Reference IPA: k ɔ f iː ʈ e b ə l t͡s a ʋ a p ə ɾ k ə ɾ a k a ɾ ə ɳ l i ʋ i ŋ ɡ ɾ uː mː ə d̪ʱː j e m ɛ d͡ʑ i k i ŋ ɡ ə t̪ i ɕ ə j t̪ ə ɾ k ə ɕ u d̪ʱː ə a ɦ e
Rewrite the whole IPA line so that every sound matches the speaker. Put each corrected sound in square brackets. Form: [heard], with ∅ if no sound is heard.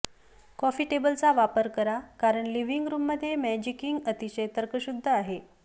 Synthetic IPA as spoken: k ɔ f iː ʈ e b ə l t͡s a ʋ a p ə ɾ k ə ɾ a k a ɾ ə ɳ l i ʋ i ŋ ɡ ɾ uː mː ə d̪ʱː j e m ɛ d͡ʑ i k i ŋ ɡ ə t̪ i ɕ ə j t̪ ə ɾ k ə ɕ u d̪ʱː ə a ɦ e